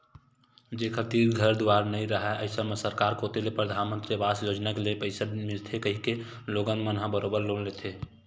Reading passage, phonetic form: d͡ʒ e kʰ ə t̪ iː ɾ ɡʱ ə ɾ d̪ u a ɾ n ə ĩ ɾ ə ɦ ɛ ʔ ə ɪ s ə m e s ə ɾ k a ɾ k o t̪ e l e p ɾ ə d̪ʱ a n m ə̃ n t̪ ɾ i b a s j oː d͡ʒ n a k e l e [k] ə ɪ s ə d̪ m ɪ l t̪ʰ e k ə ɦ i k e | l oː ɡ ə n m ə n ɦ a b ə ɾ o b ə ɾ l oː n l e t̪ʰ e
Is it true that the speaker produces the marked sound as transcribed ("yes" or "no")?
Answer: no